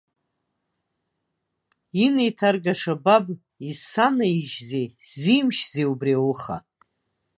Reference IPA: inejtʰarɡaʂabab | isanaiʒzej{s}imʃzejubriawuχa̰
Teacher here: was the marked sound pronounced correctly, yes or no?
no